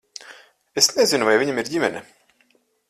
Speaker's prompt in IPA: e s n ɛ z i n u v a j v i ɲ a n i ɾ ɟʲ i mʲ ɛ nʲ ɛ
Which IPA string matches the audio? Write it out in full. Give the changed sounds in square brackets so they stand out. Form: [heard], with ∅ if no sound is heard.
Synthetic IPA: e s n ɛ z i n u v a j v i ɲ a [m] i ɾ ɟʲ i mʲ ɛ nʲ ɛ